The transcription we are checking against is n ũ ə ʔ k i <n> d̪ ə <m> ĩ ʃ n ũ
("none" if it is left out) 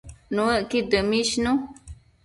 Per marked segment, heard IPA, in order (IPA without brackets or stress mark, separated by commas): none, m